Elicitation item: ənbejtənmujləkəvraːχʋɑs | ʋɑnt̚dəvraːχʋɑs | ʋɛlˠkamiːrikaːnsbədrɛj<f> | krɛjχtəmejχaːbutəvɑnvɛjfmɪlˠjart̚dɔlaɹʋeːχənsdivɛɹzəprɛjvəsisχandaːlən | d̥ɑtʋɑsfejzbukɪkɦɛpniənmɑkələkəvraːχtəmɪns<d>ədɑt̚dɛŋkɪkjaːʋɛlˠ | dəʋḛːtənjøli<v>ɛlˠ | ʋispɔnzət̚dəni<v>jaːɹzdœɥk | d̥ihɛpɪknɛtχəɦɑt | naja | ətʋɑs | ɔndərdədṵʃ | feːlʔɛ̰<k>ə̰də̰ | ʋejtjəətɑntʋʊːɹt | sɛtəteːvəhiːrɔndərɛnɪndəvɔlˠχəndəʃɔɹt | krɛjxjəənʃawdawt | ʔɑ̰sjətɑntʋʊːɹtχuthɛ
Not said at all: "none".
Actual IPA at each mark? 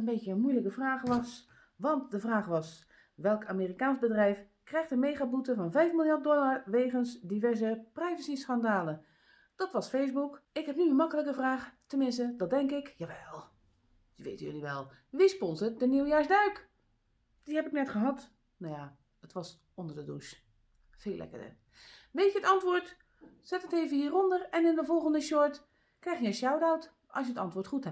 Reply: f, t, ʋ, w, k

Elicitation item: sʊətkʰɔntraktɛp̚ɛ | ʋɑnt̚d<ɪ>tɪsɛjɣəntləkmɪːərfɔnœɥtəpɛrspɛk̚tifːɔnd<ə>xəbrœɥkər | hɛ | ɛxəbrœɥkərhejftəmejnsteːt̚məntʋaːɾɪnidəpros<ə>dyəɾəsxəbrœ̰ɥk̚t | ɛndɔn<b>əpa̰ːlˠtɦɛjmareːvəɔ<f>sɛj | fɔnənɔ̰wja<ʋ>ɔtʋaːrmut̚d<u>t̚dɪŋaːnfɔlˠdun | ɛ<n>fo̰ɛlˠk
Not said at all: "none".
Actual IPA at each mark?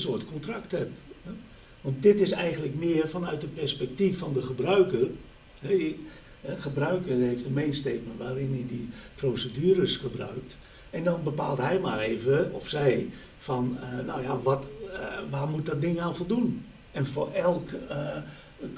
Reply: ɪ, ə, ə, b, f, ʋ, ɔ, n

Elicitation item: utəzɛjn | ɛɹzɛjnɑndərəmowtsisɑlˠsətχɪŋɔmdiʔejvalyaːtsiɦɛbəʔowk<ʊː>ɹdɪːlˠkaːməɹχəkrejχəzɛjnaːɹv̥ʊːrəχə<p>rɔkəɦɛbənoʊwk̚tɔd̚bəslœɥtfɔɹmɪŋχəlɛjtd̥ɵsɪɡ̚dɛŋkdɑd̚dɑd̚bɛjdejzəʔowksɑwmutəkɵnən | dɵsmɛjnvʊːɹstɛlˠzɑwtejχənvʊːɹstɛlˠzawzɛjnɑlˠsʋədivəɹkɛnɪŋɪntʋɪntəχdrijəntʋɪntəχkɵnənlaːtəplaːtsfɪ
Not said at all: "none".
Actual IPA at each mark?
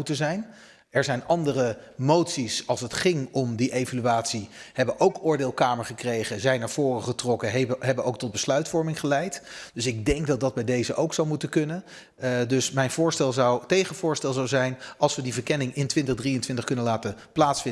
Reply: ʊː, t

